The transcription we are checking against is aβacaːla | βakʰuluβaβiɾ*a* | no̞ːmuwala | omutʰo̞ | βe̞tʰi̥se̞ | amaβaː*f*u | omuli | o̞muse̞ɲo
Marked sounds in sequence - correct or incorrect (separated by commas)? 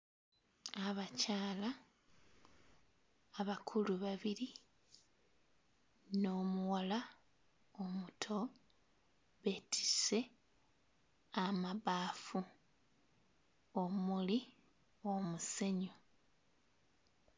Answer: incorrect, correct